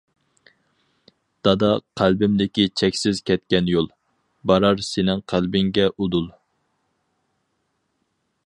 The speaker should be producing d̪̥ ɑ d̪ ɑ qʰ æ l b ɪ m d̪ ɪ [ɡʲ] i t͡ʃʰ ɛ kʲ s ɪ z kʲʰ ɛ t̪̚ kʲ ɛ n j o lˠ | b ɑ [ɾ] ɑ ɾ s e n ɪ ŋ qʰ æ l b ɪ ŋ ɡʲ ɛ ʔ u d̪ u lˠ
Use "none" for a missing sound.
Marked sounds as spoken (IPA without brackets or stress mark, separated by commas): kʲ, ɾ